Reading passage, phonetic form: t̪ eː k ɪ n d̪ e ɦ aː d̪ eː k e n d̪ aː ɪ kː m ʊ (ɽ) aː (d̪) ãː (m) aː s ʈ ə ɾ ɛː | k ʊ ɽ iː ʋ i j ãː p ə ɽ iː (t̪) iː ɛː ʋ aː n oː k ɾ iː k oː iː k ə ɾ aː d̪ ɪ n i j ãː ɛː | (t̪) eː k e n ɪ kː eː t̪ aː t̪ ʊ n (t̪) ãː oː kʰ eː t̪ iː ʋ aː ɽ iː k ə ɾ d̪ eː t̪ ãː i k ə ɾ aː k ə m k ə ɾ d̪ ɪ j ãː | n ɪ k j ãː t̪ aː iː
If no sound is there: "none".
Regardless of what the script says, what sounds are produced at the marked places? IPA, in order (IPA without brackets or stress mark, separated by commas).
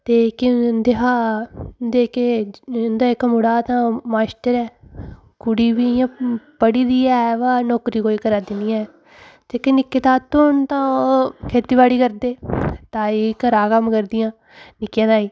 ɽ, t̪, m, d̪, t̪, t̪